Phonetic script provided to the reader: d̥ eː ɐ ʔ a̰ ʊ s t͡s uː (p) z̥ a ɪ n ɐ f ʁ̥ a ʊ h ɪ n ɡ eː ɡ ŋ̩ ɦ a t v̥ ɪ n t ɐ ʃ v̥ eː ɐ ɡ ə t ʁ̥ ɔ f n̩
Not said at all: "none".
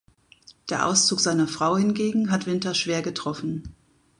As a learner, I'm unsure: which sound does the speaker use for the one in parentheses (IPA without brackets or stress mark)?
k